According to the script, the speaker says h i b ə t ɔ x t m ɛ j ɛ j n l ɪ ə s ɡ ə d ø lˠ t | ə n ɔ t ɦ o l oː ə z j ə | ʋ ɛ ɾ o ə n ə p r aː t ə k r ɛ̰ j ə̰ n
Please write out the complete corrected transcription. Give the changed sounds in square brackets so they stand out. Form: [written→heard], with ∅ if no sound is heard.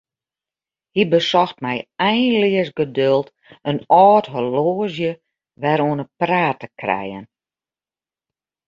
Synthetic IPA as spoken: h i b ə [t→s] ɔ x t m ɛ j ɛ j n l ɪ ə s ɡ ə d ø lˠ t | ə n [ɔ→ɔː] t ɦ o l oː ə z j ə | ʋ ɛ ɾ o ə n ə p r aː t ə k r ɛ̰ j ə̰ n